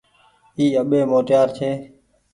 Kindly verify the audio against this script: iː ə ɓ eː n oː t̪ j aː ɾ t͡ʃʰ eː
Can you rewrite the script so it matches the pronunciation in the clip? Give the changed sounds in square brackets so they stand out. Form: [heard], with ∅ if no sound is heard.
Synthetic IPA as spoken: iː ə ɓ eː [m] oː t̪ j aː ɾ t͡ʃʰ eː